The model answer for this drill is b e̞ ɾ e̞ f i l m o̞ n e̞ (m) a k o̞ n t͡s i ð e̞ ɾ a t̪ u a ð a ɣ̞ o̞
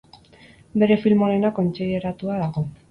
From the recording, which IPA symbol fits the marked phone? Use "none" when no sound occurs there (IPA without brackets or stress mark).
n